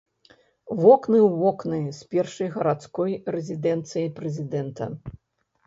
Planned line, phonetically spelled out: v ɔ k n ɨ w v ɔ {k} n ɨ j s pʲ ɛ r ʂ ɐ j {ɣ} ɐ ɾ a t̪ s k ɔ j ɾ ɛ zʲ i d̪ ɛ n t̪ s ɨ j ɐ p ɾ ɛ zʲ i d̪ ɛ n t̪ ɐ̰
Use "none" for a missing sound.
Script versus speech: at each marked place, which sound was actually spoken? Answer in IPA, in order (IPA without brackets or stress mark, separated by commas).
k, ɣ